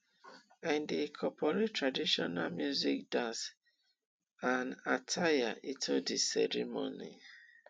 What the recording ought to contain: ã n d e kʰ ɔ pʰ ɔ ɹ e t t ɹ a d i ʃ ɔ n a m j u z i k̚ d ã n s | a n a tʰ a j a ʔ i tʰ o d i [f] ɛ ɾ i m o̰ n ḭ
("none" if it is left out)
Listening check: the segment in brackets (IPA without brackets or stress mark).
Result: s